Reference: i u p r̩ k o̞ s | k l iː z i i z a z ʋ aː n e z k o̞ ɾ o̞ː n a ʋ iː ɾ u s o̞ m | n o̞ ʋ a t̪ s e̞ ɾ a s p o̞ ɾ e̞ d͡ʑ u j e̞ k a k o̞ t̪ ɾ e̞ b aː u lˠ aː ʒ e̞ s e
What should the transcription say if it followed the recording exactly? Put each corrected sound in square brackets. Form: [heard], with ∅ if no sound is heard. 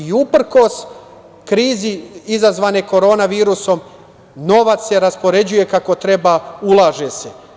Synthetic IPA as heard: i u p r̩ k o̞ s | k [ɾ] iː z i i z a z ʋ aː n e [∅] k o̞ ɾ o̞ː n a ʋ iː ɾ u s o̞ m | n o̞ ʋ a t̪ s e̞ ɾ a s p o̞ ɾ e̞ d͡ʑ u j e̞ k a k o̞ t̪ ɾ e̞ b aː u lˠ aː ʒ e̞ s e